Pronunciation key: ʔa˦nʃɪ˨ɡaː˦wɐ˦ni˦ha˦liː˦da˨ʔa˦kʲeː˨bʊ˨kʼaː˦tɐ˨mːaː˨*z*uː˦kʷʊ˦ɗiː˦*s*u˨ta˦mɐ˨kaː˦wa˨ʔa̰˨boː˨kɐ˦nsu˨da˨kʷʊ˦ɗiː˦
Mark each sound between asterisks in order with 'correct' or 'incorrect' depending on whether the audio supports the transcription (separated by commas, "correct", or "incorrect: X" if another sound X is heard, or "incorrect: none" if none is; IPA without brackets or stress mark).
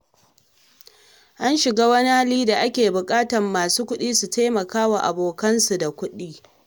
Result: incorrect: s, correct